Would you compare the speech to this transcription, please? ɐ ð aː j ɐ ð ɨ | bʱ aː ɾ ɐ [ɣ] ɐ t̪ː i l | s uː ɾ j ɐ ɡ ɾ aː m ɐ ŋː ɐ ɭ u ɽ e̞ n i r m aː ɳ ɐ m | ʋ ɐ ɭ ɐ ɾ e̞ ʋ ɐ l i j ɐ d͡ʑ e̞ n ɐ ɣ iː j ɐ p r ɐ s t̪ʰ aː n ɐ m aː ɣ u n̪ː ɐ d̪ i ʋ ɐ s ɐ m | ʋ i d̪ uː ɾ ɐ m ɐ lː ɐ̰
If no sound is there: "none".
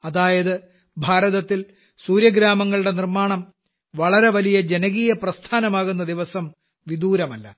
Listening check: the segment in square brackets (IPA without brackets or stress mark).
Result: ð